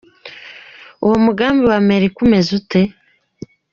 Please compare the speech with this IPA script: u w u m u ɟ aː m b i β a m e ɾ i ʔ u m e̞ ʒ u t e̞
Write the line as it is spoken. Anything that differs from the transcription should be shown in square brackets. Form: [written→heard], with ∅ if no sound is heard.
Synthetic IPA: u w [u→o] m u [ɟ→ɡ] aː m b i [β→w] a m e ɾ i [ʔ→k] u m e̞ [ʒ→z] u t e̞